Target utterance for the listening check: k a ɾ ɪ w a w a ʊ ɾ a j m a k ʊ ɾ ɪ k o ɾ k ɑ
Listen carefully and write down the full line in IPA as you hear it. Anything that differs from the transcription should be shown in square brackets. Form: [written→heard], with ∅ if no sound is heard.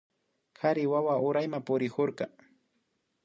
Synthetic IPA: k a ɾ ɪ w a w a ʊ ɾ a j m a [k→p] ʊ ɾ ɪ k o ɾ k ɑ